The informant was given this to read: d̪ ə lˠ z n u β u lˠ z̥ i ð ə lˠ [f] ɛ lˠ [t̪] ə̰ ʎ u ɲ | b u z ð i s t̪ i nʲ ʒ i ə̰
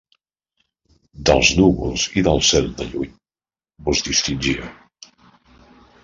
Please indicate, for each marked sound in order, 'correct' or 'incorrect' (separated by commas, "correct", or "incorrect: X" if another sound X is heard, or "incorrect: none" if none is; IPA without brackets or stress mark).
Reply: incorrect: s, incorrect: d̪